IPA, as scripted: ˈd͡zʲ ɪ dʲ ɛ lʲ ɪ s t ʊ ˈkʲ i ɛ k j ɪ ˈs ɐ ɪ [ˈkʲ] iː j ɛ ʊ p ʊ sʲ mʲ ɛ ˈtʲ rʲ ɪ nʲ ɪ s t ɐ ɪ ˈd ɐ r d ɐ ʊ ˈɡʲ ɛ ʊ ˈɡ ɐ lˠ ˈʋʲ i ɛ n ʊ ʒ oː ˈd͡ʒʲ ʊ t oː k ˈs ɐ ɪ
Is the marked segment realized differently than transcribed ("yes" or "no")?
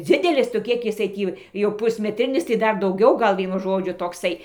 yes